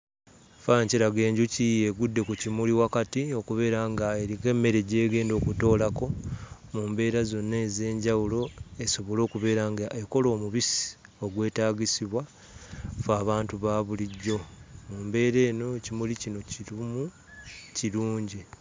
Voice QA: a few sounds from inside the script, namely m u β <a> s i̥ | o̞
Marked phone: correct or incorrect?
incorrect